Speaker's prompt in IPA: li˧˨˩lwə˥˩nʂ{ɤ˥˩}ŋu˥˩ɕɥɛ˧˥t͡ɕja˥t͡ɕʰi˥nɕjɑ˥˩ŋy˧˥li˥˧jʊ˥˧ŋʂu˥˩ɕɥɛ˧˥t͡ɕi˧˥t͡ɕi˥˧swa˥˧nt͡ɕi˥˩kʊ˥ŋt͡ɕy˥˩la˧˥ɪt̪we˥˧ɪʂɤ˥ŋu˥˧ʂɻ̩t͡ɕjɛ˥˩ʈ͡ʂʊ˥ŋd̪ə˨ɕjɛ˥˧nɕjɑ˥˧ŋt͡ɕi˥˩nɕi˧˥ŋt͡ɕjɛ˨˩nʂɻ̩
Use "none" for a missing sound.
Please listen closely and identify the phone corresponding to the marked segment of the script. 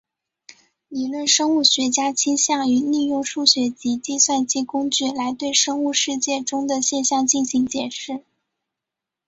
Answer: ɤ˥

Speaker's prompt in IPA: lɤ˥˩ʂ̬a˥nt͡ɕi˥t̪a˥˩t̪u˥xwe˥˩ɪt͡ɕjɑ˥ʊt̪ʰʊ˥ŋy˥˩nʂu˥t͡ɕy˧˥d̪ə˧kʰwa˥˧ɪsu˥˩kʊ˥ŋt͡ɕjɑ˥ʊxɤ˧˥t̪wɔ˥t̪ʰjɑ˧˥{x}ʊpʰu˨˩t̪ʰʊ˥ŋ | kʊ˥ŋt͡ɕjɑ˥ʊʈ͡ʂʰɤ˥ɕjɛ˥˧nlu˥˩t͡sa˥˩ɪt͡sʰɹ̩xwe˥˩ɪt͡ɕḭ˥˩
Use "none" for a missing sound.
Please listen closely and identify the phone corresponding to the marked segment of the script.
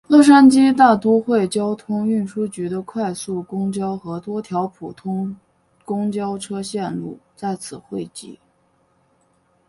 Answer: none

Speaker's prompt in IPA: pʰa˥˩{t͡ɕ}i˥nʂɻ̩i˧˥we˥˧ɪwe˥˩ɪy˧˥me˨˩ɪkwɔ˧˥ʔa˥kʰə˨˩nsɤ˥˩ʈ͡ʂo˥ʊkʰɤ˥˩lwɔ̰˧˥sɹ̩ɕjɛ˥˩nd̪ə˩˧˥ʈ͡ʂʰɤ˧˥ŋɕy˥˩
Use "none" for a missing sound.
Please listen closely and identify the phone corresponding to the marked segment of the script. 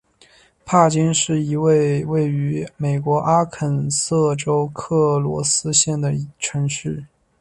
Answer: t͡ɕ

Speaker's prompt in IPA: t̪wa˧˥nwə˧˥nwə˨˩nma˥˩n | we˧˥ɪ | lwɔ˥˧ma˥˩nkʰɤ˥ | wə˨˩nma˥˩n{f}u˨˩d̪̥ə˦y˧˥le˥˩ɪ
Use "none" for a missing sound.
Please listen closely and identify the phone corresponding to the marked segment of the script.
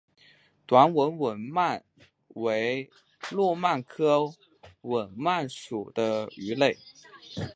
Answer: ʂ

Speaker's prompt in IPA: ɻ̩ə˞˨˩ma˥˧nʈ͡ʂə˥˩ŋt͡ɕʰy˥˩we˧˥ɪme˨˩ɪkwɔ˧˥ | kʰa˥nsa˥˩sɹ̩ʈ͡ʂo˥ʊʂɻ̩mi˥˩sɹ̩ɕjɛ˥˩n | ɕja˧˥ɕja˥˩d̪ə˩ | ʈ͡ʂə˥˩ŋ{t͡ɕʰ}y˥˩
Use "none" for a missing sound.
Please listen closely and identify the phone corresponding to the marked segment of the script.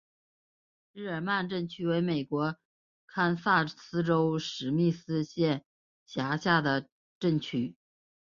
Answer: t͡ɕʰ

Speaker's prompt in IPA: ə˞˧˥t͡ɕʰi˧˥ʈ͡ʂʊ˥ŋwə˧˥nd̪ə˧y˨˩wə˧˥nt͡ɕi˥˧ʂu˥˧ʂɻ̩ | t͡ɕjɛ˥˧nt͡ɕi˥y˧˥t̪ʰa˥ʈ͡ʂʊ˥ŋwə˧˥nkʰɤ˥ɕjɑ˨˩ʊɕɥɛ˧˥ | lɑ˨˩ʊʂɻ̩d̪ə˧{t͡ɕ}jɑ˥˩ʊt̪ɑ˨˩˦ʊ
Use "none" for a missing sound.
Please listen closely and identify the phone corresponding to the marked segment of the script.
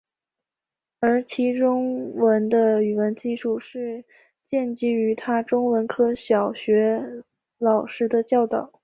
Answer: t͡ɕ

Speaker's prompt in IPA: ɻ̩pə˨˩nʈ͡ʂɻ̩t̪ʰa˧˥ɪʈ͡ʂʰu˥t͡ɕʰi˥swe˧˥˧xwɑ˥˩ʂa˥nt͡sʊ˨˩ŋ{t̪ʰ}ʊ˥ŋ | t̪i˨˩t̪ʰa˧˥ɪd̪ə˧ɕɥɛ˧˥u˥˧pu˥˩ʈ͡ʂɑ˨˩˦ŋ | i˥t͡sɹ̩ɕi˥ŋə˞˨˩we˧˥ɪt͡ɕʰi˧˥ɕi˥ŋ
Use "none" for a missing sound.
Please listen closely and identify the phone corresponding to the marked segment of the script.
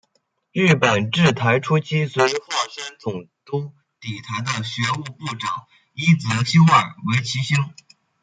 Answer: t̪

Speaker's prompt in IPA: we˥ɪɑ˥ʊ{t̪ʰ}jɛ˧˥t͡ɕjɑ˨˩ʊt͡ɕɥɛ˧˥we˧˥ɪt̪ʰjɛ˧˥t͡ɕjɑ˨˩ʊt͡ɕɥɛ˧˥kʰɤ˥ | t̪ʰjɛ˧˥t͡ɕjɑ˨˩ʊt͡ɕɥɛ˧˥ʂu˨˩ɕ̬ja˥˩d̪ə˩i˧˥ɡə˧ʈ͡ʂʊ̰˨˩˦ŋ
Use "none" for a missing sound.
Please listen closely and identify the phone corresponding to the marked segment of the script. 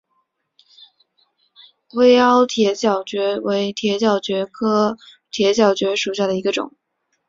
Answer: t̪ʰ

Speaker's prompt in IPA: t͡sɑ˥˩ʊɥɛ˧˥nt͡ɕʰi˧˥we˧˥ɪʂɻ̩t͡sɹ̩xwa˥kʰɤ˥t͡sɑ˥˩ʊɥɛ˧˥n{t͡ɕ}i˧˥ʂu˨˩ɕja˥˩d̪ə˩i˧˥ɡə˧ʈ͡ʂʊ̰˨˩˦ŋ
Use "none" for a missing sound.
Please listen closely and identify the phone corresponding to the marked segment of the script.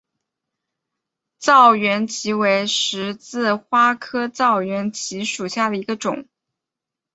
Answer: t͡ɕʰ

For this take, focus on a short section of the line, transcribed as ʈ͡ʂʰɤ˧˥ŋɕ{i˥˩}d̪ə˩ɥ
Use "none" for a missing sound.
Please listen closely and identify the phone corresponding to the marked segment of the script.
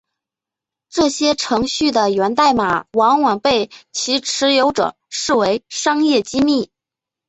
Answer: y˥˩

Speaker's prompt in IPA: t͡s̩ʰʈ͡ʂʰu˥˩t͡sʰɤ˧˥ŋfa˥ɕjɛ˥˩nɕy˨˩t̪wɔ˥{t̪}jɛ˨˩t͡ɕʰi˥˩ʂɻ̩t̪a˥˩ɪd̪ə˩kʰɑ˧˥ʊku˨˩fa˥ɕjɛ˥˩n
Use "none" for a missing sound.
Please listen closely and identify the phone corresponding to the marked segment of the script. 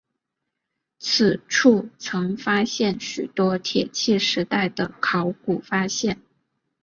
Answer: t̪ʰ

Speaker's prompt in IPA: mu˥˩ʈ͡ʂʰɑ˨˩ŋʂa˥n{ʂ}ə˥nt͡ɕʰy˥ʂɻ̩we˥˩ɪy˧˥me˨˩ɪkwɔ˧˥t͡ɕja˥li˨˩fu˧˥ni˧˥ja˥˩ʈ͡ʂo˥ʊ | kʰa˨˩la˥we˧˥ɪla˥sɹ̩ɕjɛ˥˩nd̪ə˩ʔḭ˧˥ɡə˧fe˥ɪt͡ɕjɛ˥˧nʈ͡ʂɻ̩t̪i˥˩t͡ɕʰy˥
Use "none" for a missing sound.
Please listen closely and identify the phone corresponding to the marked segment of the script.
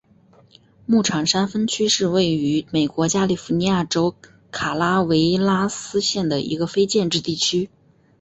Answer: f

